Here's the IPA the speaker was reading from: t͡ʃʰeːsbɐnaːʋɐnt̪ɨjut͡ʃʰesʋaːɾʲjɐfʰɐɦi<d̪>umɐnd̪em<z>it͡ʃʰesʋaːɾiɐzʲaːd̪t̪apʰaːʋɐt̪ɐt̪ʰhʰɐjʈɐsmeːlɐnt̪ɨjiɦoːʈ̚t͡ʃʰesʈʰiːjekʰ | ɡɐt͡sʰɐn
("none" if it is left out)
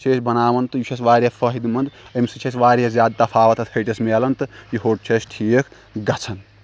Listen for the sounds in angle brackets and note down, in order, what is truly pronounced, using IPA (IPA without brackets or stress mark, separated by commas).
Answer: d̪, s